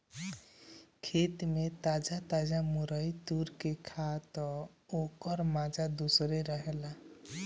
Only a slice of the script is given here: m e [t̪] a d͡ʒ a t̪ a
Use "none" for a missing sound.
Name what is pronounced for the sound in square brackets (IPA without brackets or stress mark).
t̪